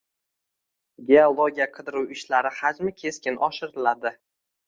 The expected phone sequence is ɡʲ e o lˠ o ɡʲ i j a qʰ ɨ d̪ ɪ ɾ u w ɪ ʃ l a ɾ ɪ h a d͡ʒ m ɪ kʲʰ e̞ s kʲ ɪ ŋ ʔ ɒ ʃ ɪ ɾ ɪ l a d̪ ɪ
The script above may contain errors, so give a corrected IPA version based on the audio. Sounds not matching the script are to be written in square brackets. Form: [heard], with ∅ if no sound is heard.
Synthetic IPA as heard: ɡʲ e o lˠ o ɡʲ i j a qʰ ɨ d̪ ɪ ɾ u w ɪ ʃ l a ɾ ɪ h a d͡ʒ m ɪ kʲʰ e̞ s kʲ ɪ [n] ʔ ɒ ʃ ɪ ɾ ɪ l a d̪ ɪ